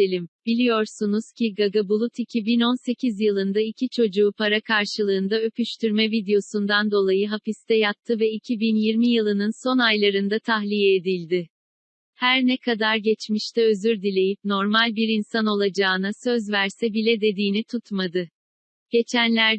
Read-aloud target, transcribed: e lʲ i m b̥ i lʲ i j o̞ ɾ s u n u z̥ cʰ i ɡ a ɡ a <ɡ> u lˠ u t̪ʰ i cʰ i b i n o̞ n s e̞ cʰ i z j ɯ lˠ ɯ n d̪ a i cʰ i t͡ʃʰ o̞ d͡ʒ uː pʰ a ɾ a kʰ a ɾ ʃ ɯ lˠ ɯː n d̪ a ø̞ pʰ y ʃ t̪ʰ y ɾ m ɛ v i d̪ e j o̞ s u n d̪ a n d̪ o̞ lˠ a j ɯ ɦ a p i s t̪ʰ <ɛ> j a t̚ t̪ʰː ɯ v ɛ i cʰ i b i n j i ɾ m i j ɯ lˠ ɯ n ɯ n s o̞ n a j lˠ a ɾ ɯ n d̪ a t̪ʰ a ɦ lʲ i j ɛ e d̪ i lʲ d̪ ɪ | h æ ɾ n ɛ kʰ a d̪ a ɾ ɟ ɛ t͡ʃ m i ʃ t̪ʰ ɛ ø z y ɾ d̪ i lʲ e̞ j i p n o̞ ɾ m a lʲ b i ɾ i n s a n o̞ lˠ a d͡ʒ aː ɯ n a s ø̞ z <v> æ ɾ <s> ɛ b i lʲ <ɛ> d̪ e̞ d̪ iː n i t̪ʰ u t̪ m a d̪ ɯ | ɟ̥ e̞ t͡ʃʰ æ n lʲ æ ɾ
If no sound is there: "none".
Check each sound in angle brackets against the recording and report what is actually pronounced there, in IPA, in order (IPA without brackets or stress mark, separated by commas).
b, ɛ, v, s, ɛ